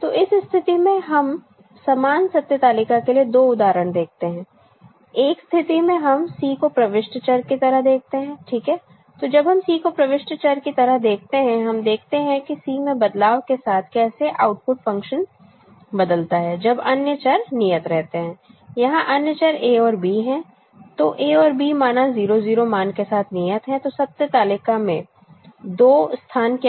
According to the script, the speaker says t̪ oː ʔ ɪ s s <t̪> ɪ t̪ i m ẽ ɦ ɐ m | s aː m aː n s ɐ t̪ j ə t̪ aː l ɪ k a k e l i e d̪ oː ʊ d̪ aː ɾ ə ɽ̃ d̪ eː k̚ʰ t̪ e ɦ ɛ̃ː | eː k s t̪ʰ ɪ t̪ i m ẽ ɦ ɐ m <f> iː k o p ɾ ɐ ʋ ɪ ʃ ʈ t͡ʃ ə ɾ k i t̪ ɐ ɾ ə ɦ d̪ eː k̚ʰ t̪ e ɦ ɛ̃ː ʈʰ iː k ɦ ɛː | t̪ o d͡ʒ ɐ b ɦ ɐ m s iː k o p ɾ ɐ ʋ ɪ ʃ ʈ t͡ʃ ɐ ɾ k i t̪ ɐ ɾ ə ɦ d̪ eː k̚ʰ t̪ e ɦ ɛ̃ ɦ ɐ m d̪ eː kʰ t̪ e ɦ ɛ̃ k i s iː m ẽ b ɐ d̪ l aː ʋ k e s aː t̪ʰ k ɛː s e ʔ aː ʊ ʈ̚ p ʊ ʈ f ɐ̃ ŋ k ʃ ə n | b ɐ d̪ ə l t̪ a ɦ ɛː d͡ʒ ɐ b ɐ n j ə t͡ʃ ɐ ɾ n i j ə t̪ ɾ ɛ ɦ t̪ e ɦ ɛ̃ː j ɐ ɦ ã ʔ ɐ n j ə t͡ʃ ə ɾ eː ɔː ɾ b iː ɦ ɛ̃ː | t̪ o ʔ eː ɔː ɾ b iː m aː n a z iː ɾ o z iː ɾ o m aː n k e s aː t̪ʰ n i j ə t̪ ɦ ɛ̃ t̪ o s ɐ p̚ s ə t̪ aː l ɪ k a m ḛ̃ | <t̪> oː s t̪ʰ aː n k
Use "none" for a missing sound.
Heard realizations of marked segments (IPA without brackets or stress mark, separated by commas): t̪ʰ, s, d̪